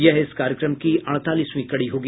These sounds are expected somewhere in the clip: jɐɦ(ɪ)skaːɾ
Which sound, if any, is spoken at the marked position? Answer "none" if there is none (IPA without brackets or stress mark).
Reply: ɪ